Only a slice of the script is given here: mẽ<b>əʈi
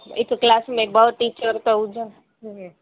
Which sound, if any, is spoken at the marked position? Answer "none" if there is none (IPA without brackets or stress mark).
b